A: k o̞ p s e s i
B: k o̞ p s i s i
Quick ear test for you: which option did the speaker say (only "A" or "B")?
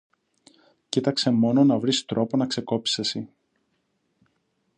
A